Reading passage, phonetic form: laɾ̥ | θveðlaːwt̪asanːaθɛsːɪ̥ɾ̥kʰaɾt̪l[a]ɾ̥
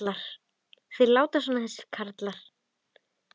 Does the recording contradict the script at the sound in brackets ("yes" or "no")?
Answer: no